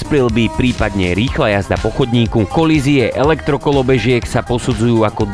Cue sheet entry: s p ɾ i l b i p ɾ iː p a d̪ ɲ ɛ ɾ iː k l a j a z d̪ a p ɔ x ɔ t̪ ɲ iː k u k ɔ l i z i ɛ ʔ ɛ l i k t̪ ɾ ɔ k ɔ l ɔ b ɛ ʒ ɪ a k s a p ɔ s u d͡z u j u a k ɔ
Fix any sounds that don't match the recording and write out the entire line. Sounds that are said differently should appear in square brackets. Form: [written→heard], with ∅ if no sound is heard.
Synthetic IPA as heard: s p ɾ i l b i p ɾ iː p a d̪ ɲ ɛ ɾ iː [k→x] l a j a z d̪ a p ɔ x ɔ [t̪→d̪] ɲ iː k u k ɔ l i z i ɛ ʔ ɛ l [i→ɛ] k t̪ ɾ ɔ k ɔ l ɔ b ɛ ʒ ɪ [a→ɛ] k s a p ɔ s u d͡z u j [u→uː] a k ɔ